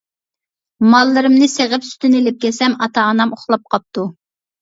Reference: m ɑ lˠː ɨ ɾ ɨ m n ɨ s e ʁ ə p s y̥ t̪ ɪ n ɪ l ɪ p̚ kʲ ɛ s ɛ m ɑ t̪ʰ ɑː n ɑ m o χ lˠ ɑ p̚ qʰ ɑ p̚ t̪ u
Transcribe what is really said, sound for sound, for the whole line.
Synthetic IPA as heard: m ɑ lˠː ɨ ɾ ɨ m n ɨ s e ʁ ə p s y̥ t̪ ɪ n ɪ l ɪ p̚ kʲ ɛ s ɛ m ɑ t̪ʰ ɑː n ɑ m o χ lˠ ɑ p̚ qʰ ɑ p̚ t̪ u